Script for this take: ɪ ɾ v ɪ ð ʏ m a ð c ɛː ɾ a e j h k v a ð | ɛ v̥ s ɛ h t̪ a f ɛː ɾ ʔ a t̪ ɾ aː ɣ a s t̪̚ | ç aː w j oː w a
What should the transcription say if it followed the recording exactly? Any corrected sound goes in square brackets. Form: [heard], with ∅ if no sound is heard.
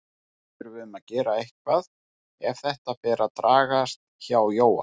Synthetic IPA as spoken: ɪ ɾ v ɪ ð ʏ m a ð c ɛː ɾ a e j h k v a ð | ɛ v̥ [θ] ɛ h t̪ a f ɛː ɾ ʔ a t̪ ɾ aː ɣ a s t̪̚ | ç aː w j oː w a